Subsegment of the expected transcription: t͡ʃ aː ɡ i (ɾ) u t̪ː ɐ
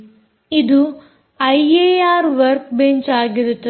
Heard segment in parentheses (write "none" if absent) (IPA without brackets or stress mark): ɾ